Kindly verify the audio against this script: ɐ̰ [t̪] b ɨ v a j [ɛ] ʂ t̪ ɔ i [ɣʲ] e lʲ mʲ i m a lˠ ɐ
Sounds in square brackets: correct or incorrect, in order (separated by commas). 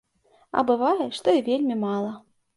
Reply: incorrect, correct, incorrect